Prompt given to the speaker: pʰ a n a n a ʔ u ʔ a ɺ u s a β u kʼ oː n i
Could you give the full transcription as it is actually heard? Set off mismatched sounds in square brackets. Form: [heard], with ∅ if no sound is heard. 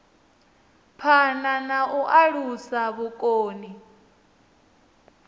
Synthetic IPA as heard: pʰ a n a n a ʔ u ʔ a ɺ u s a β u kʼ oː n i